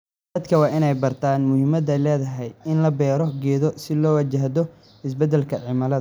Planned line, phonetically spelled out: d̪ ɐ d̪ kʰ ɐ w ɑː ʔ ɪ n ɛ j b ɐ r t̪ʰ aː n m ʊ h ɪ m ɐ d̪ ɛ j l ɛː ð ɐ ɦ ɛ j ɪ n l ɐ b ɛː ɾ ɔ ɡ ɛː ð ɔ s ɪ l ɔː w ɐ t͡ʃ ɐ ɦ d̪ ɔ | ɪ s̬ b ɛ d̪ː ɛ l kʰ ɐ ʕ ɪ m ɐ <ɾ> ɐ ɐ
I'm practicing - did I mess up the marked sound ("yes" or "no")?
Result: yes